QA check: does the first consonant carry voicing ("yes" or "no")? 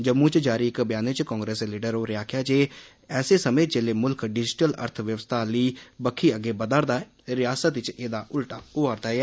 yes